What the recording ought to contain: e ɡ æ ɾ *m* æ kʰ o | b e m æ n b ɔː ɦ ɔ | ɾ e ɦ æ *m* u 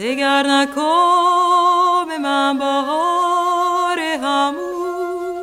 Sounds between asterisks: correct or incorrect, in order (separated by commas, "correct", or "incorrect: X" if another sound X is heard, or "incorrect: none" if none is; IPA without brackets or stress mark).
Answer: incorrect: n, correct